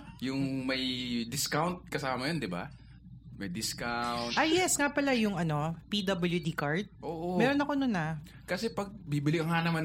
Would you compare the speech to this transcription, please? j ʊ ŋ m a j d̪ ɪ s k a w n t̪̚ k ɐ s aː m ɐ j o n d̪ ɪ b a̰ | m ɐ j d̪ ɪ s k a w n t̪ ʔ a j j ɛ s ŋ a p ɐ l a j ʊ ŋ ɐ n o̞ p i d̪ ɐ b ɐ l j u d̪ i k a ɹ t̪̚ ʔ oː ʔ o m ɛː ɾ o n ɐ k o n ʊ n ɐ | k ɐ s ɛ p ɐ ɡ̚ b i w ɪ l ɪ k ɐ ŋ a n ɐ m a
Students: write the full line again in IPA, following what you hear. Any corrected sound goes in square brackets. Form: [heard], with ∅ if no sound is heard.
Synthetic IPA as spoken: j ʊ ŋ m [ɐ] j d̪ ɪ s k a w n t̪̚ k ɐ s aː m ɐ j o n d̪ ɪ b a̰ | m ɐ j d̪ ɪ s k a w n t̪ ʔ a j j ɛ s ŋ a p ɐ l a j ʊ ŋ ɐ n o̞ p i d̪ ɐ b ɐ l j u d̪ i k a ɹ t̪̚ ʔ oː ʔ o m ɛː ɾ o n ɐ k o n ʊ n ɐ | k ɐ s ɛ p ɐ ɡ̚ b i [b] ɪ l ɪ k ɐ ŋ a n ɐ m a